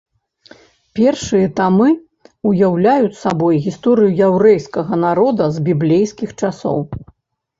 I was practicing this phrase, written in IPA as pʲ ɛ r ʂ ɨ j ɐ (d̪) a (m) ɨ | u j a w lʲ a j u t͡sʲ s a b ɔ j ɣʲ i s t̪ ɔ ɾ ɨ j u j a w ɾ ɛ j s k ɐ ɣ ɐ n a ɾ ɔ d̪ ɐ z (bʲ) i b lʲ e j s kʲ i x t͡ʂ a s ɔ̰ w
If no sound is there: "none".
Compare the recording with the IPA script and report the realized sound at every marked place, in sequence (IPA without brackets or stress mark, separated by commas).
t̪, m, bʲ